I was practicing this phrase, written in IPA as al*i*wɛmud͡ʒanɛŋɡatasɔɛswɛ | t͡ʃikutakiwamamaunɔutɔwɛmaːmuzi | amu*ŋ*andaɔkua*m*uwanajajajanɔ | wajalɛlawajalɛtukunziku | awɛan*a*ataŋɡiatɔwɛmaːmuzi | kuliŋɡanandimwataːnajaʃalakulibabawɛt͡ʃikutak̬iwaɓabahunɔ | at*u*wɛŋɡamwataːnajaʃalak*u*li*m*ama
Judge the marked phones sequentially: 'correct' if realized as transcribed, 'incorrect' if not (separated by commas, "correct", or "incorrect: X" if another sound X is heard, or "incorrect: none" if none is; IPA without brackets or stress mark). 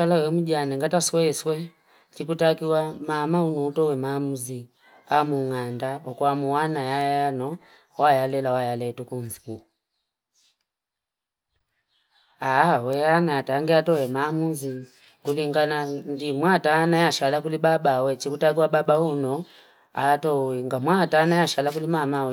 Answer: incorrect: a, correct, correct, correct, incorrect: ɔ, correct, correct